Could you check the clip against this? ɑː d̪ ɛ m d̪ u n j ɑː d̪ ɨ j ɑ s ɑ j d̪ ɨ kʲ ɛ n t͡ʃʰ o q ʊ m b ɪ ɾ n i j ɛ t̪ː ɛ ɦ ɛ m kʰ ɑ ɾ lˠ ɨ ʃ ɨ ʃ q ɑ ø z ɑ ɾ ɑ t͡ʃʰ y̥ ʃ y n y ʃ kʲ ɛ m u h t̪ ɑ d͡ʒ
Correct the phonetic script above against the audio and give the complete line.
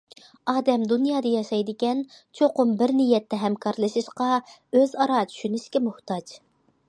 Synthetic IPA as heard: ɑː d̪ ɛ m d̪ u n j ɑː d̪ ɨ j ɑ ʃ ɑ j d̪ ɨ kʲ ɛ n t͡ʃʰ o q ʊ m b ɪ ɾ n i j ɛ t̪ː ɛ ɦ ɛ m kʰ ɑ ɾ lˠ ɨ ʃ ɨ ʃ q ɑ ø z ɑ ɾ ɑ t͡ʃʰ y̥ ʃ y n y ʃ kʲ ɛ m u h t̪ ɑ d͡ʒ